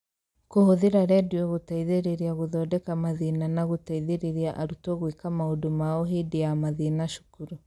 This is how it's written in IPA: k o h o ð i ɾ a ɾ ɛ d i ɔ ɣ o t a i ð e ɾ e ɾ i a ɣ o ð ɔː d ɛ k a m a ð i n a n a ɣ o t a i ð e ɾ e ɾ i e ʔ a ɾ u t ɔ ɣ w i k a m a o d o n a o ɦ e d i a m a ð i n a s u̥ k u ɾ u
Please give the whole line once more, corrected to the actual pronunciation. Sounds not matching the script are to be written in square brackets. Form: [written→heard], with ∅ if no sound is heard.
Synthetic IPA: k o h o ð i ɾ a ɾ ɛ d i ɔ ɣ o t a i ð e ɾ e ɾ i a ɣ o ð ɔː d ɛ k a m a ð i n a n a ɣ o t a i ð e ɾ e ɾ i [e→a] ʔ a ɾ u t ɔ ɣ w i k a m a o d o [n→m] a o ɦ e d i a m a ð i n a [s→ʃ] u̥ k u ɾ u

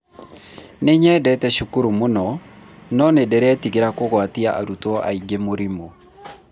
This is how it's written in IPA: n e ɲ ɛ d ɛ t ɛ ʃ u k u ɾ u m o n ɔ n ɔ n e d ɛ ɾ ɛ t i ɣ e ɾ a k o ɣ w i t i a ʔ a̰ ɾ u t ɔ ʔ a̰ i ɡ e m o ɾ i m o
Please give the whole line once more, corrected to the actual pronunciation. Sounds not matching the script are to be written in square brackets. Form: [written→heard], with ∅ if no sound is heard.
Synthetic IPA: n e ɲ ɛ d ɛ t ɛ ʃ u k u ɾ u m o n ɔ n ɔ n e d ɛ ɾ ɛ t i ɣ e ɾ a k o ɣ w [i→a] t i a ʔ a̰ ɾ u t ɔ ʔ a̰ i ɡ e m o ɾ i m o

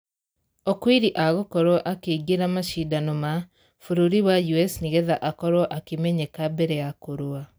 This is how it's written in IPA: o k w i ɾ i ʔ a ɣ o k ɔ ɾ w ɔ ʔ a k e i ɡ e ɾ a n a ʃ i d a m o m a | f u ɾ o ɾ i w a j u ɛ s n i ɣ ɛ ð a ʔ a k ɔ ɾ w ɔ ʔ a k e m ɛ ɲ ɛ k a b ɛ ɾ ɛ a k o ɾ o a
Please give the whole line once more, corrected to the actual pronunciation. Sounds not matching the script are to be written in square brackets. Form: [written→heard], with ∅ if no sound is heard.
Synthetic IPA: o k w i ɾ i ʔ a ɣ o k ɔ ɾ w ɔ ʔ a k e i ɡ e ɾ a [n→m] a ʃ i d a [m→n] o m a | f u ɾ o ɾ i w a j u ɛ s n i ɣ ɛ ð a ʔ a k ɔ ɾ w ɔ ʔ a k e m ɛ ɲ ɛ k a b ɛ ɾ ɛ a k o ɾ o a

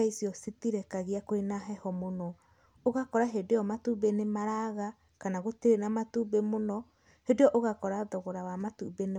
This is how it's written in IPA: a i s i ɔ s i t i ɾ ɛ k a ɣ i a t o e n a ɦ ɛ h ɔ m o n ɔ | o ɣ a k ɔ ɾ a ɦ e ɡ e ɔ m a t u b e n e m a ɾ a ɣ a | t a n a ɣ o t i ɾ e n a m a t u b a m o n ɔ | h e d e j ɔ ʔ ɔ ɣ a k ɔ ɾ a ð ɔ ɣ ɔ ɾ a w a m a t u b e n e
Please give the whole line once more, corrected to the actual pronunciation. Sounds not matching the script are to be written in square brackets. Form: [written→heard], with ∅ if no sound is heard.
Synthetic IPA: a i s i ɔ s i t i ɾ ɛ k a ɣ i a [t→k] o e n a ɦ ɛ h ɔ m o n ɔ | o ɣ a k ɔ ɾ a ɦ e [ɡ→d] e ɔ m a t u b e n e m a ɾ a ɣ a | [t→k] a n a ɣ o t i ɾ e n a m a t u b [a→e] m o n ɔ | h e d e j ɔ ʔ [ɔ→o] ɣ a k ɔ ɾ a ð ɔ ɣ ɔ ɾ a w a m a t u b e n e

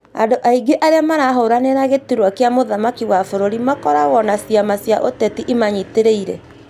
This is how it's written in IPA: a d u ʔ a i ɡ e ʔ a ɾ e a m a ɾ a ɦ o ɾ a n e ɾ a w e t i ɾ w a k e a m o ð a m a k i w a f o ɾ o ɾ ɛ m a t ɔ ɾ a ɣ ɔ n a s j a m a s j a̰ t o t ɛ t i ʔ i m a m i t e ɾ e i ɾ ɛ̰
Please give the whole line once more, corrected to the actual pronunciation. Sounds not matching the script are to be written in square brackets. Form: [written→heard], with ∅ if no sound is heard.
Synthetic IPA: a d [u→o] ʔ a i ɡ e ʔ a ɾ e a m a ɾ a ɦ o ɾ a n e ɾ a [w→ɣ] e t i ɾ w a k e a m o ð a m a k i w a f o ɾ o ɾ [ɛ→i] m a [t→k] ɔ ɾ a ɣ ɔ n a s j a m a s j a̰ [t→ʔ] o t ɛ t i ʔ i m a [m→ɲ] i t e ɾ e i ɾ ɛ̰

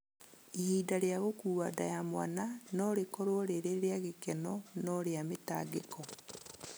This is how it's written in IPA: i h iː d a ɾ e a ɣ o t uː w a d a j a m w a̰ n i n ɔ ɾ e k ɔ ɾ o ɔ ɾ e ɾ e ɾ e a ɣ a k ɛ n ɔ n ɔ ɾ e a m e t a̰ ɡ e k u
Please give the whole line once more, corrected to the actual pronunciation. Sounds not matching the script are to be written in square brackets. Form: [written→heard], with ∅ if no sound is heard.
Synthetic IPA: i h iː d a ɾ e a ɣ o [t→k] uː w a d a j a m w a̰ n [i→a] n ɔ ɾ e k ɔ ɾ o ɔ ɾ e ɾ e ɾ e a ɣ [a→e] k ɛ n ɔ n ɔ ɾ e a m e t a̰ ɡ e k [u→ɔ]

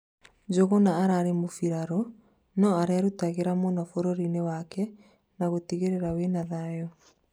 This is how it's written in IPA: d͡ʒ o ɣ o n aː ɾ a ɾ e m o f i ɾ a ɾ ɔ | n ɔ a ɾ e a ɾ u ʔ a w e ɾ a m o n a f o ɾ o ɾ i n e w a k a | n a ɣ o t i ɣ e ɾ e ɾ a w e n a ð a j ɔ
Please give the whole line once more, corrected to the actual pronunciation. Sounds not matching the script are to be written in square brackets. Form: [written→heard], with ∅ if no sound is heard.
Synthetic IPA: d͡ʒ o ɣ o n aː ɾ a ɾ e m o f i ɾ a ɾ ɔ | n ɔ a ɾ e a ɾ u [ʔ→t] a [w→ɣ] e ɾ a m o n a f o ɾ o ɾ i n e w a k [a→ɛ] | n a ɣ o t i ɣ e ɾ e ɾ a w e n a ð a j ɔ

